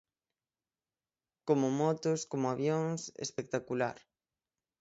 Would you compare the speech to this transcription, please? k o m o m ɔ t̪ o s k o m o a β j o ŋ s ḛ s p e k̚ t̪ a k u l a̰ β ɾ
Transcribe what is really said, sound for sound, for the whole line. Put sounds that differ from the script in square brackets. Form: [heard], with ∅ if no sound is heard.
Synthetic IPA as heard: k o m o m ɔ t̪ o s k o m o a β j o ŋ s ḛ s p e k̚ t̪ a k u l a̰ [∅] ɾ